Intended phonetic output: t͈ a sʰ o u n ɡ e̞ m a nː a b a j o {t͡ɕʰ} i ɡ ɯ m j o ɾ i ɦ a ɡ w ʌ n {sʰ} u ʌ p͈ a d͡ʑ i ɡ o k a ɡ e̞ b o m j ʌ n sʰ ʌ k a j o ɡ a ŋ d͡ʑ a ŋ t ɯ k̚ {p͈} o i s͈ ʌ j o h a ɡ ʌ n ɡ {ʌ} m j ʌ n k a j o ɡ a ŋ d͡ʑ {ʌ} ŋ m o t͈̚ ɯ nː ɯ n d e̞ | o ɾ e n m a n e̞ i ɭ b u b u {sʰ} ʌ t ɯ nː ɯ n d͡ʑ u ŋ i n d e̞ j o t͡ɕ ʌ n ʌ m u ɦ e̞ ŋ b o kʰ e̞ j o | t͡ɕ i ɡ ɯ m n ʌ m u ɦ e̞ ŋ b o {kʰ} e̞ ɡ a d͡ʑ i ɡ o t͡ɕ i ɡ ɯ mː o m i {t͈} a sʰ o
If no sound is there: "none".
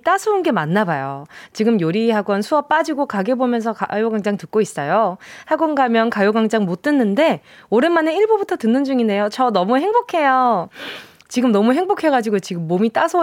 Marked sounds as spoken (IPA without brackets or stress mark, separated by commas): t͡ɕ, sʰ, k͈, a, a, tʰ, kʰ, t͈